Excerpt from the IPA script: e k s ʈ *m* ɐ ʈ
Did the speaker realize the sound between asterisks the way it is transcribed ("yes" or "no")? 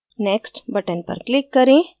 no